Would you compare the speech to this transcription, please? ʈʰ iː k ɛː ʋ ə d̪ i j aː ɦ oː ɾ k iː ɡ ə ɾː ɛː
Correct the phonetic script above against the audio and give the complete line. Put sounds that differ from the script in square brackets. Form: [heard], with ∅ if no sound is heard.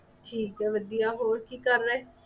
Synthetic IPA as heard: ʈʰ iː k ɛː ʋ ə d̪ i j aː ɦ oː ɾ k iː [k] ə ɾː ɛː